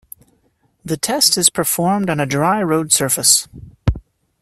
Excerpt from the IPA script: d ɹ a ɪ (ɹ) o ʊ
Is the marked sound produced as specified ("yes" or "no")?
yes